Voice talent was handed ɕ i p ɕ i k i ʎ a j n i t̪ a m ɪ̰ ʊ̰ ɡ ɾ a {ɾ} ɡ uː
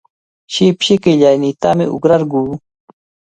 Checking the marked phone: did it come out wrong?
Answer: no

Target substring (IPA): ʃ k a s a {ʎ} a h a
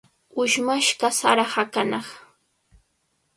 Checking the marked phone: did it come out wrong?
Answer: yes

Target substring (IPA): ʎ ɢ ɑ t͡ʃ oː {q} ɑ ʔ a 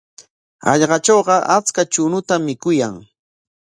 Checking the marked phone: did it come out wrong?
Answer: yes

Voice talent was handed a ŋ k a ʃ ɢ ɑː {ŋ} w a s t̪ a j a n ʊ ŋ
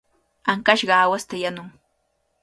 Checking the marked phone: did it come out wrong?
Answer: yes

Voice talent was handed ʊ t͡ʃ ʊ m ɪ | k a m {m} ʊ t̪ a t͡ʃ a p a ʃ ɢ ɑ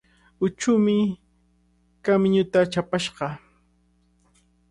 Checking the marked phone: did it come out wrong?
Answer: yes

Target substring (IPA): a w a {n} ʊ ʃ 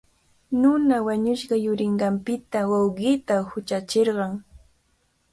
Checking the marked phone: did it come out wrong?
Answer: yes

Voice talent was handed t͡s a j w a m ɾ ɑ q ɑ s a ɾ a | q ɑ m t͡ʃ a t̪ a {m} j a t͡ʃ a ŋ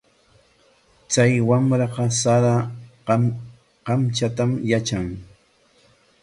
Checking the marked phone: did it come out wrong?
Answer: no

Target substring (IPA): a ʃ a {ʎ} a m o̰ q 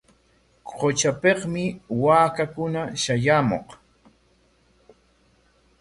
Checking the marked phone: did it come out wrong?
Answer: yes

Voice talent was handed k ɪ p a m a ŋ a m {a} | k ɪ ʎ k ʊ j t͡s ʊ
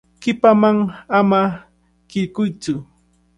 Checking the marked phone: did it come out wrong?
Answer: no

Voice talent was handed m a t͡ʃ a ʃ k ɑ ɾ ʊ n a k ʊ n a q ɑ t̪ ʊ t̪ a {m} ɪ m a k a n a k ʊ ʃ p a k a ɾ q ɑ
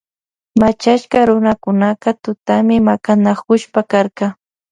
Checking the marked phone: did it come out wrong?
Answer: no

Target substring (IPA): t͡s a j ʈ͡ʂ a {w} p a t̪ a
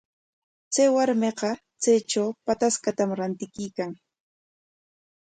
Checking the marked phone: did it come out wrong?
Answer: no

